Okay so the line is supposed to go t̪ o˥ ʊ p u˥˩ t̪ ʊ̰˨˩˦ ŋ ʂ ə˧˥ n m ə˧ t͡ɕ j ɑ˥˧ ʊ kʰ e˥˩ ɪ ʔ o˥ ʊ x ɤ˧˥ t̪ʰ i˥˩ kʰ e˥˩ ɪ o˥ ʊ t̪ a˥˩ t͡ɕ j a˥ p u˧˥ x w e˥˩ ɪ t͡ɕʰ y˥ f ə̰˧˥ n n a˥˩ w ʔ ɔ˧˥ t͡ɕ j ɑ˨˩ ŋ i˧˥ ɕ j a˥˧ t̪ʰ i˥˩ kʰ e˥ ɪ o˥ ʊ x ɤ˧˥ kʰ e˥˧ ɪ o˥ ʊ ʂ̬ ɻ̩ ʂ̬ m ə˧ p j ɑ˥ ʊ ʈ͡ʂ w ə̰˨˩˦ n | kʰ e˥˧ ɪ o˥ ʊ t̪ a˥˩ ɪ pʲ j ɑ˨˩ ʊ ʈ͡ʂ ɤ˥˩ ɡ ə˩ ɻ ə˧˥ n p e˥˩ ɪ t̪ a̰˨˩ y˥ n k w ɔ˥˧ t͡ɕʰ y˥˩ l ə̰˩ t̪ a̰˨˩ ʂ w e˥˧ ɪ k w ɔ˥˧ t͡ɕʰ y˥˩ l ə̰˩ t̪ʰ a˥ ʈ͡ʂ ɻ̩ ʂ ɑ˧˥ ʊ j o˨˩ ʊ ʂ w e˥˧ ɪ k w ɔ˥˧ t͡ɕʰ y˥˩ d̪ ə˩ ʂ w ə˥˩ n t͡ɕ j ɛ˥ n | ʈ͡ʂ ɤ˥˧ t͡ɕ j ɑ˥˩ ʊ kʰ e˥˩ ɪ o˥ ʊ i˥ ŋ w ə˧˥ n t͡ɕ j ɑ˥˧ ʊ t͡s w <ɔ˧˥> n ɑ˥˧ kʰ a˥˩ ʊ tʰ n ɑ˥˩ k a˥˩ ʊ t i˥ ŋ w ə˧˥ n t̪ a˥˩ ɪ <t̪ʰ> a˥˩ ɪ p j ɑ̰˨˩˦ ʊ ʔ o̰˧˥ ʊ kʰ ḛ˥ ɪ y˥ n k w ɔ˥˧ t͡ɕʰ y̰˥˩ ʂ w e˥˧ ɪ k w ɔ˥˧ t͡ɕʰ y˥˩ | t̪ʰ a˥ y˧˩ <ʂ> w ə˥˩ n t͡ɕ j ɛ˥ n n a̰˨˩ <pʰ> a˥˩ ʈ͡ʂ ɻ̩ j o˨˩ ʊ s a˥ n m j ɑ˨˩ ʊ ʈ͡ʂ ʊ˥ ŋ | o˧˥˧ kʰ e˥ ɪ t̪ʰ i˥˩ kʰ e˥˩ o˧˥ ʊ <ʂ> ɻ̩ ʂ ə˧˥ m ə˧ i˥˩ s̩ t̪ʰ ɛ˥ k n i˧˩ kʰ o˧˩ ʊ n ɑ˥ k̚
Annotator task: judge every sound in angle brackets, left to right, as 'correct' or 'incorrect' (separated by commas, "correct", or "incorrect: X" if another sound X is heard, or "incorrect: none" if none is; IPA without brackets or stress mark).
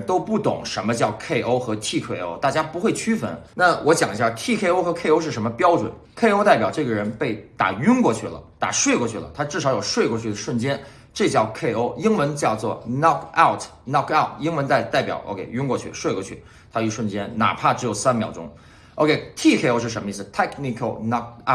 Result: incorrect: ɔ˥˩, incorrect: t̪, correct, correct, correct